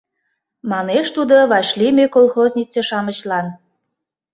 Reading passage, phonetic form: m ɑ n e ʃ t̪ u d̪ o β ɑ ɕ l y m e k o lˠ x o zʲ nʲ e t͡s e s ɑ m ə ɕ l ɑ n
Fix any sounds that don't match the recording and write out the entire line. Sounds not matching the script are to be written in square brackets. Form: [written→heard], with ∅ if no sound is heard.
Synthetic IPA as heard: m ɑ n e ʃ t̪ u d̪ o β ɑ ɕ l [y→i] m e k o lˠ x o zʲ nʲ [e→i] t͡s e [s→ʃ] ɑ m ə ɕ l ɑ n